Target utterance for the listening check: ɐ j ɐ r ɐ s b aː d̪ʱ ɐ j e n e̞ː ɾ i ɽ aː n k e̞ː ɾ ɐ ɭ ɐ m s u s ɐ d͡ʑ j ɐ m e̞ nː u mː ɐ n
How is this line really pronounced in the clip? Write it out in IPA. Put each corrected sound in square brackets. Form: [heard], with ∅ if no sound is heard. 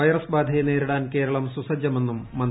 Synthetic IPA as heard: ɐ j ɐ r ɐ s b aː d̪ʱ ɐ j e n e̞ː ɾ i ɽ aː n k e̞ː ɾ ɐ ɭ ɐ m s u s ɐ d͡ʑ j ɐ m e̞ nː u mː ɐ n

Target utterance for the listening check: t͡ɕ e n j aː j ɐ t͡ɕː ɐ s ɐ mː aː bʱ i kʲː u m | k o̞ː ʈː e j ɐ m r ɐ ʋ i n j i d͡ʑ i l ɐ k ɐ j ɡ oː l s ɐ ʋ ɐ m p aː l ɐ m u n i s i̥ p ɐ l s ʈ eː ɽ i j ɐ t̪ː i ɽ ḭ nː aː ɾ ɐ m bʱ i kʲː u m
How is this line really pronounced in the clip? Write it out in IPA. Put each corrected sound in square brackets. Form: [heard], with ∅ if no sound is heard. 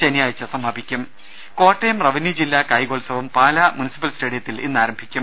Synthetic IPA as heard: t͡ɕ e n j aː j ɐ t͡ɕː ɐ s ɐ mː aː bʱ i kʲː u m | k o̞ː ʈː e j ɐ m r ɐ ʋ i n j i d͡ʑ i [lː] ɐ k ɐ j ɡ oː l s ɐ ʋ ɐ m p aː l ɐ m u n i s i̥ p ɐ l s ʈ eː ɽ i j ɐ t̪ː i [l] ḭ nː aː ɾ ɐ m bʱ i kʲː u m

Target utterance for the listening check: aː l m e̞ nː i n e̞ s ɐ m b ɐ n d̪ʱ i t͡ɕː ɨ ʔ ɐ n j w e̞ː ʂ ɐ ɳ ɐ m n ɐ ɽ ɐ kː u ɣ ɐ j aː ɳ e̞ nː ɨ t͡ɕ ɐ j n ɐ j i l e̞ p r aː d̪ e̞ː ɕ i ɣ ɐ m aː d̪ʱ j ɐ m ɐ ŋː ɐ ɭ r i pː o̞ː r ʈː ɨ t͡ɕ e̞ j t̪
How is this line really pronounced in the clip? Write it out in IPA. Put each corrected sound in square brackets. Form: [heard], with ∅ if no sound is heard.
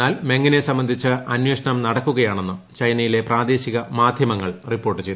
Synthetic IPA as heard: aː l m e̞ [ŋː] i n e̞ s ɐ m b ɐ n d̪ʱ i t͡ɕː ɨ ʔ ɐ n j w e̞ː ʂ ɐ ɳ ɐ m n ɐ ɽ ɐ kː u ɣ ɐ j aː ɳ e̞ nː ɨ t͡ɕ ɐ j n ɐ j i l e̞ p r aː d̪ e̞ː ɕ i ɣ ɐ m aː d̪ʱ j ɐ m ɐ ŋː ɐ ɭ r i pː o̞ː r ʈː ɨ t͡ɕ e̞ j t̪

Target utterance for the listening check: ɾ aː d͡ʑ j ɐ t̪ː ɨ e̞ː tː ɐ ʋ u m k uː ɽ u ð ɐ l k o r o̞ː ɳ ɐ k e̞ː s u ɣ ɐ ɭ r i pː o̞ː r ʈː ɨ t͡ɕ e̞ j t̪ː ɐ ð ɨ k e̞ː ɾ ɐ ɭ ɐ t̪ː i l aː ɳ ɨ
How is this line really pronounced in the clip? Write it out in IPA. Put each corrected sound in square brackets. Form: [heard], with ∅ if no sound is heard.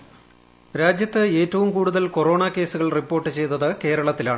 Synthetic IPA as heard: ɾ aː d͡ʑ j ɐ t̪ː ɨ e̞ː tː ɐ ʋ u m k uː ɽ u ð ɐ l k o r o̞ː ɳ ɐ k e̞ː s u ɣ ɐ ɭ r i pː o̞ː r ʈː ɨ t͡ɕ e̞ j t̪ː ɐ ð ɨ k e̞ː ɾ ɐ ɭ ɐ t̪ː i l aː ɳ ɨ

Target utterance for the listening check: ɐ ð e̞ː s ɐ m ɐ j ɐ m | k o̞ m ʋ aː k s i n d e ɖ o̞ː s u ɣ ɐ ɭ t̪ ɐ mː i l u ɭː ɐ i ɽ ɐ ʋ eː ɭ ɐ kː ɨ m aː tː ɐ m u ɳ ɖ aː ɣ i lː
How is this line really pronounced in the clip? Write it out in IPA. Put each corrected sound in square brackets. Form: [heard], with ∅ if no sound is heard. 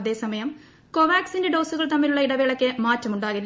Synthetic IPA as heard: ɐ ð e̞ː s ɐ m ɐ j ɐ m | k o̞ [∅] ʋ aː k s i n d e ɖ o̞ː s u ɣ ɐ ɭ t̪ ɐ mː i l u ɭː ɐ i ɽ ɐ ʋ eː ɭ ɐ kː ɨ m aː tː ɐ m u ɳ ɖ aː ɣ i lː

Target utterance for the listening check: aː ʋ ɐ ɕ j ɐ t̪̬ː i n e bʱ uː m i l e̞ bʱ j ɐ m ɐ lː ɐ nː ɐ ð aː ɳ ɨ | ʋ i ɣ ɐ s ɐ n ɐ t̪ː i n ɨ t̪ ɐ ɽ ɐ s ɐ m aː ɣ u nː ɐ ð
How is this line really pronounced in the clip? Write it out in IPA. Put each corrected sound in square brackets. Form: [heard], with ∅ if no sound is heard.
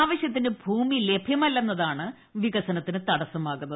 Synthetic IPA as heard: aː ʋ ɐ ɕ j ɐ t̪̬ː i n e bʱ uː m i l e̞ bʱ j ɐ m ɐ lː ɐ nː ɐ ð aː ɳ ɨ | ʋ i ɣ ɐ s ɐ n ɐ t̪ː i n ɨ t̪ ɐ ɽ ɐ s ɐ m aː ɣ u nː ɐ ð

